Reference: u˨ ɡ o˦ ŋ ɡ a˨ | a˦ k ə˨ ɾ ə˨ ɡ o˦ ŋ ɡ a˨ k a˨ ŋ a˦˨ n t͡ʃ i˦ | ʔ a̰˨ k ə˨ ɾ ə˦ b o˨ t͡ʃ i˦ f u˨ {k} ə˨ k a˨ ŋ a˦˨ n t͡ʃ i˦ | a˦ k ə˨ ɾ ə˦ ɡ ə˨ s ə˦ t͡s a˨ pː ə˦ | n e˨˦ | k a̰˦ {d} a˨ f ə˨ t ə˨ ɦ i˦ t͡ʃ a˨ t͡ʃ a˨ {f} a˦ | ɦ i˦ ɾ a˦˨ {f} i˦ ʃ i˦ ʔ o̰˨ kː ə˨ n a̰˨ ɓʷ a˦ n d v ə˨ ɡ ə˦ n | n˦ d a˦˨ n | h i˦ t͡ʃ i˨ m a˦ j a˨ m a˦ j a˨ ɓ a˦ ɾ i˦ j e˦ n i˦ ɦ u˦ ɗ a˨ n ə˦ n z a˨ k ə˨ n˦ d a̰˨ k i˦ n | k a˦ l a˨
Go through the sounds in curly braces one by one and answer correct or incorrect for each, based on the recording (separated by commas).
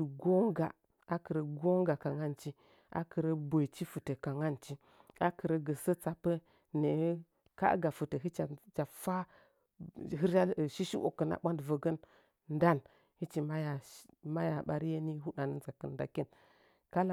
incorrect, incorrect, correct, incorrect